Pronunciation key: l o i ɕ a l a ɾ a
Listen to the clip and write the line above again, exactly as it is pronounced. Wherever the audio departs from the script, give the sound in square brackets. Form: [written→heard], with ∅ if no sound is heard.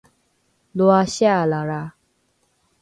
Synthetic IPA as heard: l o [i→a] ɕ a l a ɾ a